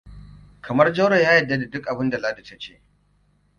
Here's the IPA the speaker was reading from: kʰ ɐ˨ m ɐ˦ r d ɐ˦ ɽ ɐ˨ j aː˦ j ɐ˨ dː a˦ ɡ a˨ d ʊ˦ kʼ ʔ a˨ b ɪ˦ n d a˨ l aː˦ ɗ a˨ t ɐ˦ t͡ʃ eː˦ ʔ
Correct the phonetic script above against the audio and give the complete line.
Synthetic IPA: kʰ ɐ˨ m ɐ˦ r d͡ʒ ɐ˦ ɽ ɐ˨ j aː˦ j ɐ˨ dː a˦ d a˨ d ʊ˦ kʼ ʔ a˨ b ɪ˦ n d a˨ l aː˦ d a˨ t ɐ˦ t͡ʃ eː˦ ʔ

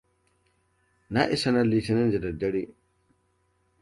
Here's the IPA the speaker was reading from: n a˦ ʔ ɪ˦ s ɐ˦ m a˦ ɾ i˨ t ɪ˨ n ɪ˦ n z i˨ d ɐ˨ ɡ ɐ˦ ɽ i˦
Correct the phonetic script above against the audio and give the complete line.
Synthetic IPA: n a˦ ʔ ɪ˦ s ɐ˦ n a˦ l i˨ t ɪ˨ n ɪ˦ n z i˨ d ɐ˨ d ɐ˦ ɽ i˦

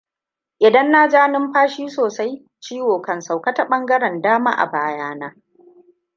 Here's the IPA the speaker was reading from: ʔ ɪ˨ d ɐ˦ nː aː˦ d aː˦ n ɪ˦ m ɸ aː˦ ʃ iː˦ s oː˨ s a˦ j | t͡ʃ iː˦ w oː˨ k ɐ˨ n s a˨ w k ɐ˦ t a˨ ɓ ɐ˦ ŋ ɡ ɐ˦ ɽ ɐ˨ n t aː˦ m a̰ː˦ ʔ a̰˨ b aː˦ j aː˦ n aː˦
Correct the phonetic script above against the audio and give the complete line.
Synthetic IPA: ʔ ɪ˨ d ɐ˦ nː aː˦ d͡ʒ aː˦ n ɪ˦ m ɸ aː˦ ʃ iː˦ s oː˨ s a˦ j | t͡ʃ iː˦ w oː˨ k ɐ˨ n s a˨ w k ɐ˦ t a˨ ɓ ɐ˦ ŋ ɡ ɐ˦ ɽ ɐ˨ n d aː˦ m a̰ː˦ ʔ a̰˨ b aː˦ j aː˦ n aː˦

